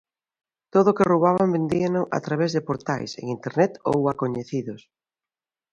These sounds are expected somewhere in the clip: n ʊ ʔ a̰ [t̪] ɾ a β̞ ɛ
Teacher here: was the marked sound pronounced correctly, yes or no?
yes